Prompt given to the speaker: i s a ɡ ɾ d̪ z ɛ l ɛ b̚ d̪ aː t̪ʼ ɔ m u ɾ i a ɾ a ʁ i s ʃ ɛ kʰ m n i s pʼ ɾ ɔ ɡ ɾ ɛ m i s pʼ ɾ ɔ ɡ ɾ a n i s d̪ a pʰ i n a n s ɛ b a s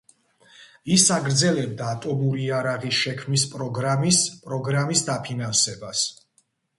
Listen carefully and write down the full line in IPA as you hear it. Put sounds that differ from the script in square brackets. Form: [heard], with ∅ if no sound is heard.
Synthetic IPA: i s a ɡ ɾ d̪ z ɛ l ɛ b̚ d̪ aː t̪ʼ ɔ m u ɾ i a ɾ a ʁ i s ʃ ɛ kʰ m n i s pʼ ɾ ɔ ɡ ɾ [a] m i s pʼ ɾ ɔ ɡ ɾ a [m] i s d̪ a pʰ i n a n s ɛ b a s